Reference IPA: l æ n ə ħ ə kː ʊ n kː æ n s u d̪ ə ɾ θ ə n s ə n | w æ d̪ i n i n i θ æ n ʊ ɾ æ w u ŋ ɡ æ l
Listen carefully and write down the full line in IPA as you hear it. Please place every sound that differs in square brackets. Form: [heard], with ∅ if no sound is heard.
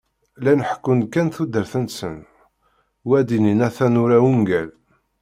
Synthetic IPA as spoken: l æ n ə ħ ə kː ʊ n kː æ n [θ] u d̪ ə ɾ θ ə n s ə n | w æ d̪ i n i n [æ] θ æ n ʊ ɾ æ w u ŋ ɡ æ l